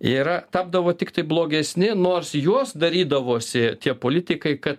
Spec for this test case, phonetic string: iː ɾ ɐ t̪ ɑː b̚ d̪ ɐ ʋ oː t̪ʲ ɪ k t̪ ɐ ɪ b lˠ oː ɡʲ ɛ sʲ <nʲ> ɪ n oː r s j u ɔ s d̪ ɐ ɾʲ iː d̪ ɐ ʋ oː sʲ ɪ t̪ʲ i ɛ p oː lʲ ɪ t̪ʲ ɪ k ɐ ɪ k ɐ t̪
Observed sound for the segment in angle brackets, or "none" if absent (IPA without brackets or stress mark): nʲ